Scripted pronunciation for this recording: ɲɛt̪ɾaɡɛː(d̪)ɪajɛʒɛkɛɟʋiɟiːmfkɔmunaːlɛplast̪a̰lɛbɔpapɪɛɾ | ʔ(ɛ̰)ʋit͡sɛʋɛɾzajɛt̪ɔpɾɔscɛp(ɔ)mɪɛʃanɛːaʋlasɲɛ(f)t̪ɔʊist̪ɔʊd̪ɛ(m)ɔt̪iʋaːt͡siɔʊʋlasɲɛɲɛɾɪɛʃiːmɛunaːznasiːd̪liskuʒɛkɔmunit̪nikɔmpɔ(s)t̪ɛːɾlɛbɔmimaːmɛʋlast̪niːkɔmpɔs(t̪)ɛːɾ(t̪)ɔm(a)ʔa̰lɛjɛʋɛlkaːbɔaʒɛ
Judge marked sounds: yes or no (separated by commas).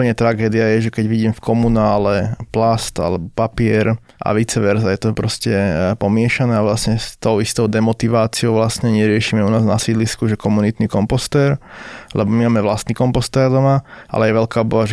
yes, no, yes, no, yes, yes, yes, no, yes